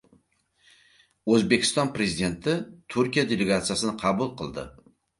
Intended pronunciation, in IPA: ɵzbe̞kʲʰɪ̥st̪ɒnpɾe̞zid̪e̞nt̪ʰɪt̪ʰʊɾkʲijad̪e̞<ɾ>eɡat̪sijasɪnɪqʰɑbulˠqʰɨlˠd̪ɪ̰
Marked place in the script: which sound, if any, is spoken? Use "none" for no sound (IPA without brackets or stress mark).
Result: l